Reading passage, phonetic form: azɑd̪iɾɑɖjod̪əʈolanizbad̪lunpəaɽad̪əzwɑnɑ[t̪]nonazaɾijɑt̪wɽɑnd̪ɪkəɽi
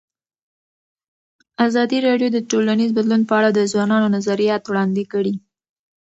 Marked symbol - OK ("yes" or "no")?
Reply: no